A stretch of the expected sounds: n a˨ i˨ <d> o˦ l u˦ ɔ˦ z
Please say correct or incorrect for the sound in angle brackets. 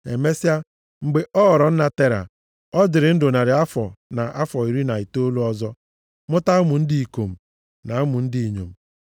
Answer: incorrect: t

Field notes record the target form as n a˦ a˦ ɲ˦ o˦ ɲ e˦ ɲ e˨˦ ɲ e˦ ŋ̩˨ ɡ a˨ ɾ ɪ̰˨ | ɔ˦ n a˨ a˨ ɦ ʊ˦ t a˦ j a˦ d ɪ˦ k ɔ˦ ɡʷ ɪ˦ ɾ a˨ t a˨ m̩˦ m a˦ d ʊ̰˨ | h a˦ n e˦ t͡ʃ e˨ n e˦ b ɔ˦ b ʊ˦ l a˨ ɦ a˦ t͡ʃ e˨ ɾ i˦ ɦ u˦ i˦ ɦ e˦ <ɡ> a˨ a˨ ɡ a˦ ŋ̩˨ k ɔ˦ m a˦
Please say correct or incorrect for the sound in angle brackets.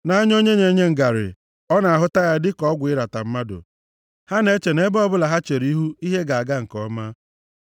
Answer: correct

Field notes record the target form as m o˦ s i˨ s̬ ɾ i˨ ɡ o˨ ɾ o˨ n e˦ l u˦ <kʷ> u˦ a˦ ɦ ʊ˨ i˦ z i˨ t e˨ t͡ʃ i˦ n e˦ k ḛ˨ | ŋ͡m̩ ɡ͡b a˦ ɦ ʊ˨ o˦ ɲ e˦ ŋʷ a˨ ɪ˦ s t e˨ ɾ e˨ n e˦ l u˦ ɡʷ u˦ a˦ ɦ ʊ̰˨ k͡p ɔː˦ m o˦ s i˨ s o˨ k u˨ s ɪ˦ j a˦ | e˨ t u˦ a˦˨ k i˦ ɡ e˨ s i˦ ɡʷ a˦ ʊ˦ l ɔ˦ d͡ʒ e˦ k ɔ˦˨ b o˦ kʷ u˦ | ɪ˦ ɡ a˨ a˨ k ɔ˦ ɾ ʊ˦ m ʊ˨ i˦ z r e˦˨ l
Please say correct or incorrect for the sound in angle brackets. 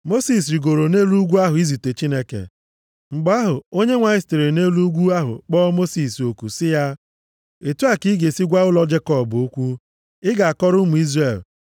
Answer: incorrect: ɡʷ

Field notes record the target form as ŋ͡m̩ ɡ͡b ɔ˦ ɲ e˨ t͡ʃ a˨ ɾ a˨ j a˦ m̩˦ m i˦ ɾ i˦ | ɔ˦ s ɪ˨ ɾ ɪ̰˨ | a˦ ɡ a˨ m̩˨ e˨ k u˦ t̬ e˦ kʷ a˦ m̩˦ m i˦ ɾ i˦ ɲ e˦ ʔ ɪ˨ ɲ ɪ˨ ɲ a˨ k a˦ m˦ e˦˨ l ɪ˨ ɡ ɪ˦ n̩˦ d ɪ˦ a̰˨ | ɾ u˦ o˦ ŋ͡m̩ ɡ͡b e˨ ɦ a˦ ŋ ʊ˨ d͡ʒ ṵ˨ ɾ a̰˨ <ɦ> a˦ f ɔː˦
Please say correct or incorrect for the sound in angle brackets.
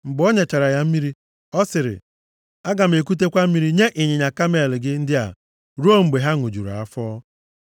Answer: incorrect: none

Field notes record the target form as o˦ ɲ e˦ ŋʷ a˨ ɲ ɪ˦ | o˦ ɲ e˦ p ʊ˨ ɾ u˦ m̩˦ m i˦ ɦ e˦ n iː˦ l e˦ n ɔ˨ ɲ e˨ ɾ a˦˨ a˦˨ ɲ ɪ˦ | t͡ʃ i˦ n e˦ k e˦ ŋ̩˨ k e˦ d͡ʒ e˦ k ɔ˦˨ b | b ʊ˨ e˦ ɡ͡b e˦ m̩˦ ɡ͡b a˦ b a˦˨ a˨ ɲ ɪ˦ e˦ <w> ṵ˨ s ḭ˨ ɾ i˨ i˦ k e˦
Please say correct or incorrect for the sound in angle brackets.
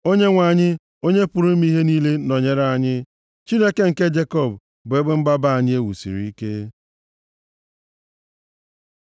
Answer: correct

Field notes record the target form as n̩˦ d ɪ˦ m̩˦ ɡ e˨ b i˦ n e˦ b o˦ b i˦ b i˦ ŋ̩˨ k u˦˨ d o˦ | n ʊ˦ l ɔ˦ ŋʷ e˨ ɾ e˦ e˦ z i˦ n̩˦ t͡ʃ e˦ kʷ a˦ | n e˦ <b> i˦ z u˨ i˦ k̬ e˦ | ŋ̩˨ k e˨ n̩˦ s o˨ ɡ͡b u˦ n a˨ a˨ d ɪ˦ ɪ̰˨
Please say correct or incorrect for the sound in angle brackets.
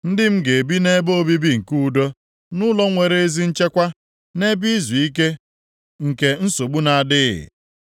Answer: correct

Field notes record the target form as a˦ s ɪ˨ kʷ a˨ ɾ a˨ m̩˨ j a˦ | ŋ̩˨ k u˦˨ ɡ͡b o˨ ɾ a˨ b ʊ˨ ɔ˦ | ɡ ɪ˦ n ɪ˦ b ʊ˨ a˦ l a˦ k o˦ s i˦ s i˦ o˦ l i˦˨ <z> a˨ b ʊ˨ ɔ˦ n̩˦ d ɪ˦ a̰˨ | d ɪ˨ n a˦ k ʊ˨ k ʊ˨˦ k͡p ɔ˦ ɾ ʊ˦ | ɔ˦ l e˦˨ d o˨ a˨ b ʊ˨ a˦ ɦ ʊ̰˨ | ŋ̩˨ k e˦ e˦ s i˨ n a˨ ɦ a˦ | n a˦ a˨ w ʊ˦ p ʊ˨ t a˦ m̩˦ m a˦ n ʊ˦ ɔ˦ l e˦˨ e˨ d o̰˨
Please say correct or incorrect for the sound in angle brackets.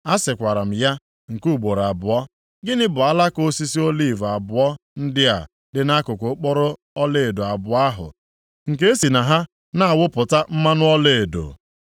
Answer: incorrect: v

